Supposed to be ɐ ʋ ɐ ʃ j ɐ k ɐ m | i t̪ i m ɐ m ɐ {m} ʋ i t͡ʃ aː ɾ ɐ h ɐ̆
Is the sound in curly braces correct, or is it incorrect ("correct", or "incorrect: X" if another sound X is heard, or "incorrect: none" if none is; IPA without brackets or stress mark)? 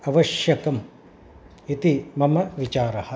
incorrect: none